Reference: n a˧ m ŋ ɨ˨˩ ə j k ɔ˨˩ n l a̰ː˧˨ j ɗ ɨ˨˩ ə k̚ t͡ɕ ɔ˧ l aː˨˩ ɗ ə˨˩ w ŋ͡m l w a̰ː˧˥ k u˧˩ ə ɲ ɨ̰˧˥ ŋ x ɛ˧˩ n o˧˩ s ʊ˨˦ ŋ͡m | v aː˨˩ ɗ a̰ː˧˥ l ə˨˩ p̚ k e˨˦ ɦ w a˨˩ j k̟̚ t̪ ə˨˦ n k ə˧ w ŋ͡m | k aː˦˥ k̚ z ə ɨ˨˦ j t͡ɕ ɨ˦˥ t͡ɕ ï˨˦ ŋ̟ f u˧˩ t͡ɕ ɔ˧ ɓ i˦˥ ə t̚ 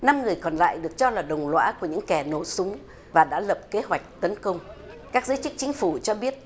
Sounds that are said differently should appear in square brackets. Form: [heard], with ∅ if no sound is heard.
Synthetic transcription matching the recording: n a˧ m ŋ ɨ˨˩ ə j k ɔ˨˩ n l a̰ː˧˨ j ɗ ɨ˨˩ ə k̚ t͡ɕ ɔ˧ l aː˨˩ ɗ ə˨˩ w ŋ͡m l w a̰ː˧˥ k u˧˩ ə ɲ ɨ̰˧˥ ŋ [k] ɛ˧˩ n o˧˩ s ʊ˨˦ ŋ͡m | v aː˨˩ ɗ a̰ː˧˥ l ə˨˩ p̚ k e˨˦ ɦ w a˨˩ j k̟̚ t̪ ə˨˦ n k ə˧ w ŋ͡m | k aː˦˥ k̚ z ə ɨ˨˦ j t͡ɕ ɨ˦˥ t͡ɕ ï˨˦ ŋ̟ f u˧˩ t͡ɕ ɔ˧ ɓ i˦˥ ə t̚

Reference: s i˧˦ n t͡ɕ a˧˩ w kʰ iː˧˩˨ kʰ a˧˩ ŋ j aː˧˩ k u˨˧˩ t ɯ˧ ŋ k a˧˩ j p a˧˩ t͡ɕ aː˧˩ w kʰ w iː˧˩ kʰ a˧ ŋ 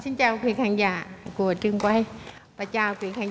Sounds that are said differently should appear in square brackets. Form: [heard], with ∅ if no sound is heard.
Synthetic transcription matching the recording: s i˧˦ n t͡ɕ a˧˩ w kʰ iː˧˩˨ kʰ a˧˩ ŋ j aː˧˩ k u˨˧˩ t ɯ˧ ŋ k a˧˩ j p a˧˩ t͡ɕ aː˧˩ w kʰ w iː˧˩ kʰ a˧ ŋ

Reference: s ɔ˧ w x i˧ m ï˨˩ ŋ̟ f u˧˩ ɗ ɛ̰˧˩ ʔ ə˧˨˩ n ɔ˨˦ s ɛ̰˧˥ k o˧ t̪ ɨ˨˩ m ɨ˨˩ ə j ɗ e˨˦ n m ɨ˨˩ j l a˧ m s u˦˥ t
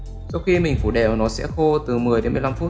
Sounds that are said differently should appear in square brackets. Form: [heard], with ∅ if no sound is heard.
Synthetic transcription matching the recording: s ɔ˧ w x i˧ m ï˨˩ ŋ̟ f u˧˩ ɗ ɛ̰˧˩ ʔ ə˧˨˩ n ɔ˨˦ s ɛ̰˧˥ [x] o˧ t̪ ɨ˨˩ m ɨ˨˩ ə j ɗ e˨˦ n m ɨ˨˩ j l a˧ m [f] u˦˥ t

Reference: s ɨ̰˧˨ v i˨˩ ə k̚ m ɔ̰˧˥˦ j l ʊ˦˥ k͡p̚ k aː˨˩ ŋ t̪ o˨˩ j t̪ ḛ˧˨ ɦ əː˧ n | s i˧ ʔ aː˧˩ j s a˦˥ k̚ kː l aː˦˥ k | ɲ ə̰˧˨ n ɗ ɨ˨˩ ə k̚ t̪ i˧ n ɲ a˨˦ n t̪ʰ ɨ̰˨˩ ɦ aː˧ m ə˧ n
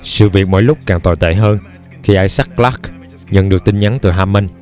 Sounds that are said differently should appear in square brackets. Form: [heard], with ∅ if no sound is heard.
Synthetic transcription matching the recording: s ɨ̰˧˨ v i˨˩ ə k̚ m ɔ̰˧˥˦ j l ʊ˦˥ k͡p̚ k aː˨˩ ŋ t̪ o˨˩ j t̪ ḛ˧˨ ɦ əː˧ n | [x] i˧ ʔ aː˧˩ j s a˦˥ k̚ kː l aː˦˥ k | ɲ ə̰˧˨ n ɗ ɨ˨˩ ə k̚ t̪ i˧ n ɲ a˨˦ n [t̪] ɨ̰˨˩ ɦ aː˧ m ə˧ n

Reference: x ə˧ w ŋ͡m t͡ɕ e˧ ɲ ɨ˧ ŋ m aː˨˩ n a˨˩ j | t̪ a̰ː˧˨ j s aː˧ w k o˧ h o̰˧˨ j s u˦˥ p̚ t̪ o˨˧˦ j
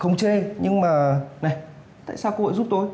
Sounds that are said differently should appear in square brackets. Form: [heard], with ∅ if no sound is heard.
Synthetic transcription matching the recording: x ə˧ w ŋ͡m t͡ɕ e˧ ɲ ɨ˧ ŋ m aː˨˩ n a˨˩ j | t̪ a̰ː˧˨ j s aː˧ w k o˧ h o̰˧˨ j [z] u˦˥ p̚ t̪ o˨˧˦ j

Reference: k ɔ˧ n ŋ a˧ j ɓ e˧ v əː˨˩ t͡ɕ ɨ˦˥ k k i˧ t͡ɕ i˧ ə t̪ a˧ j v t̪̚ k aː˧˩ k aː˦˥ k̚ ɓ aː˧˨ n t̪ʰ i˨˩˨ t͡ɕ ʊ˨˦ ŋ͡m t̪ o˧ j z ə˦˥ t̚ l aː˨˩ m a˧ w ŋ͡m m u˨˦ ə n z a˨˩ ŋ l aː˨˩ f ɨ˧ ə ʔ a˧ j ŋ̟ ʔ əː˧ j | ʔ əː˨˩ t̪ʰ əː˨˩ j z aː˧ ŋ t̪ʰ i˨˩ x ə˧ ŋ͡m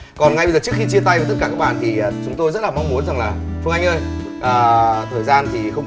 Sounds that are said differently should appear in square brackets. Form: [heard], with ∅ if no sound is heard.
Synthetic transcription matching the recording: k [ɔ˨˩] n ŋ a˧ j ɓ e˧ [z] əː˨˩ t͡ɕ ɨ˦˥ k [x] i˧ t͡ɕ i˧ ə t̪ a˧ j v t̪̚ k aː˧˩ k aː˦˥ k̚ ɓ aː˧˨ n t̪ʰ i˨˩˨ t͡ɕ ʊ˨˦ ŋ͡m t̪ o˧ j z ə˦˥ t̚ l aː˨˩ m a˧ w ŋ͡m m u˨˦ ə n z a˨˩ ŋ l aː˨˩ f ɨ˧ ə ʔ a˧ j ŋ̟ ʔ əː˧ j | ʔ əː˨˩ t̪ʰ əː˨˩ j z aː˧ [n] t̪ʰ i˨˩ x ə˧ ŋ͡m

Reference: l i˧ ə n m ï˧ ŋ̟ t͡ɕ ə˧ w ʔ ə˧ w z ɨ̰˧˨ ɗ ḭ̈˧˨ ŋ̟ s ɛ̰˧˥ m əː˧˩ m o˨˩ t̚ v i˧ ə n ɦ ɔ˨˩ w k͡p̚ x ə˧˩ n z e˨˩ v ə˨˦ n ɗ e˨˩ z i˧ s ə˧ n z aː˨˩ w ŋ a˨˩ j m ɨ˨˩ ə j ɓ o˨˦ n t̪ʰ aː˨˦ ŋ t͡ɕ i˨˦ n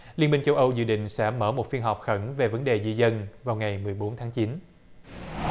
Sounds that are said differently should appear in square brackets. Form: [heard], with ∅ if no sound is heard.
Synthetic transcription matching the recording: l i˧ ə n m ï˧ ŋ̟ t͡ɕ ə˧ w ʔ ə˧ w z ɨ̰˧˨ ɗ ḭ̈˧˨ ŋ̟ s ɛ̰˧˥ m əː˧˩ m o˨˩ t̚ [f] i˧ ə n ɦ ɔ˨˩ w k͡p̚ x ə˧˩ n [v] e˨˩ v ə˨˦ n ɗ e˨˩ z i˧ [z] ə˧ n [v] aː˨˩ w ŋ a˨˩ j m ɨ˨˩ ə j ɓ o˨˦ n t̪ʰ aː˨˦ ŋ t͡ɕ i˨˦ n

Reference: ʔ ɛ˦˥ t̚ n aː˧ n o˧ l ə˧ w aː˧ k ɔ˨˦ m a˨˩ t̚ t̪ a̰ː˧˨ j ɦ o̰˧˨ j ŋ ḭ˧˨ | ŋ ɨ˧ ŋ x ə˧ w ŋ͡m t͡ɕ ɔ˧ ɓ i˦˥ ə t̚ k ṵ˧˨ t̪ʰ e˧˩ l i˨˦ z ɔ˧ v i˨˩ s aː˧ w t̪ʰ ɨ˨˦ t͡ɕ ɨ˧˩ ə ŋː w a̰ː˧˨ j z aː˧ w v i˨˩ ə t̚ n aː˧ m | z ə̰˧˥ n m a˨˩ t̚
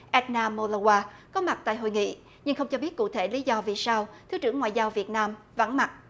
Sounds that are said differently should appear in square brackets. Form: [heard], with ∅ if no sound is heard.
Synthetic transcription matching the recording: ʔ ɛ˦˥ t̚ n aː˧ [m] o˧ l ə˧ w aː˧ k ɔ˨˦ m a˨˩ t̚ t̪ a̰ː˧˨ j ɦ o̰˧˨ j ŋ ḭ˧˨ | [ɲ] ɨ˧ ŋ x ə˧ w ŋ͡m t͡ɕ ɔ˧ ɓ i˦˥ ə t̚ k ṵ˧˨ t̪ʰ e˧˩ l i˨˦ z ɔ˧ v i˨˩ s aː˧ w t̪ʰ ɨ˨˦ t͡ɕ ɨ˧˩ ə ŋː w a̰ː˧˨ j z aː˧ w v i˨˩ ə t̚ n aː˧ m | [v] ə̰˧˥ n m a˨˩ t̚

